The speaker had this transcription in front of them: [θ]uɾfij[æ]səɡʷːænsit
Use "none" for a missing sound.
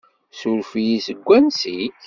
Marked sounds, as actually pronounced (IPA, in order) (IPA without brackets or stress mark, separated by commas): s, i